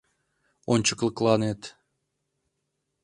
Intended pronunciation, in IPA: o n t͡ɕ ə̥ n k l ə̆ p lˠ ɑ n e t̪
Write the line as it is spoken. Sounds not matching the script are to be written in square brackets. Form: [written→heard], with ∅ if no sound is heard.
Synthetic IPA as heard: o n t͡ɕ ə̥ [n→∅] k l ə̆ [p→k] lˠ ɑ n e t̪